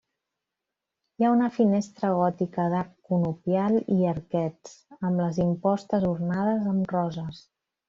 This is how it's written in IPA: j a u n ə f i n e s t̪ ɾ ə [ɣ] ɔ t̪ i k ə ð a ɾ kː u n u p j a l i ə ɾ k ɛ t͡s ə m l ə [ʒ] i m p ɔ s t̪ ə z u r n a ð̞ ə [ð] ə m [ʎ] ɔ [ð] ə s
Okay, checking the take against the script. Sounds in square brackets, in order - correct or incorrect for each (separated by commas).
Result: correct, incorrect, incorrect, incorrect, incorrect